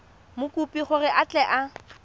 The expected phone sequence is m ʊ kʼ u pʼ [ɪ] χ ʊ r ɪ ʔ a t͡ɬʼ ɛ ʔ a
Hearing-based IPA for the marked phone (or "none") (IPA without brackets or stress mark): i